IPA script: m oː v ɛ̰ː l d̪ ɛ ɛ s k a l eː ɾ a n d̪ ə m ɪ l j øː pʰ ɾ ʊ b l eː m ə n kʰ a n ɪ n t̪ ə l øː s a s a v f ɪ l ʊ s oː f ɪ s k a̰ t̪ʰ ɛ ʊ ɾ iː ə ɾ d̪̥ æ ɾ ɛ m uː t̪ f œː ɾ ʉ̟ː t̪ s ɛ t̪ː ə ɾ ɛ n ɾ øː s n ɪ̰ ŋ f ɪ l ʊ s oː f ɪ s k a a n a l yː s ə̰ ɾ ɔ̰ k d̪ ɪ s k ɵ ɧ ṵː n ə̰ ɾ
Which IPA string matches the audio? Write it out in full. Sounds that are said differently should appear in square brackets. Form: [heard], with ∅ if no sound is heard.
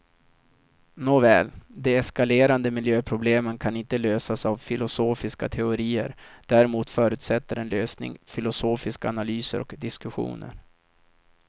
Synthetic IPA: [n] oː v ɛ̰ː l d̪ ɛ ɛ s k a l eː ɾ a n d̪ ə m ɪ l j øː pʰ ɾ ʊ b l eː m ə n kʰ a n ɪ n t̪ ə l øː s a s a v f ɪ l ʊ s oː f ɪ s k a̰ t̪ʰ ɛ ʊ ɾ iː ə ɾ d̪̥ æ ɾ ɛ m uː t̪ f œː ɾ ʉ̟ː t̪ s ɛ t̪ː ə ɾ ɛ n [l] øː s n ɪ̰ ŋ f ɪ l ʊ s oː f ɪ s k a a n a l yː s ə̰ ɾ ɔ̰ k d̪ ɪ s k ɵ ɧ ṵː n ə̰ ɾ